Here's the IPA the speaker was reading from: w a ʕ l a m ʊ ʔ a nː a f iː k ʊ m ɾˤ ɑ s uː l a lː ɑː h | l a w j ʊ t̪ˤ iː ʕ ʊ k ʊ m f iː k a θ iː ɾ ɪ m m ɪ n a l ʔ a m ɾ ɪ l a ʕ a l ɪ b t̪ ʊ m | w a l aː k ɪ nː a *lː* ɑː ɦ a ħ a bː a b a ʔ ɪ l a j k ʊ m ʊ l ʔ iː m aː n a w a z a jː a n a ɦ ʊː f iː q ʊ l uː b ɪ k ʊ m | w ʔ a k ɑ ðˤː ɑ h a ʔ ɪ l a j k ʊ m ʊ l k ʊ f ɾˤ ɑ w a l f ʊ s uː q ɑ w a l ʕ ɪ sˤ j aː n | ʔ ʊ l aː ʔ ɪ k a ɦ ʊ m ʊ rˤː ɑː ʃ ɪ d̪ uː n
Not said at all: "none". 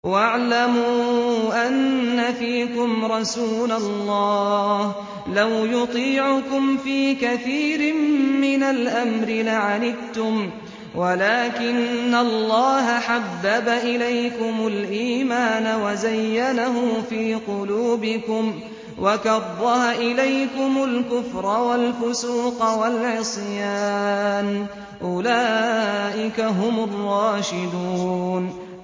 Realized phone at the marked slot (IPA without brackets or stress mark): lː